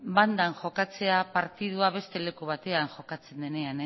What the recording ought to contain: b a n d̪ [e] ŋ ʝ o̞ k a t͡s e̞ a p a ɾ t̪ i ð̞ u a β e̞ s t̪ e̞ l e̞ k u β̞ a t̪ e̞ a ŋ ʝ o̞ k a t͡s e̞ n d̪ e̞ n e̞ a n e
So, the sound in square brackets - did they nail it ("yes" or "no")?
no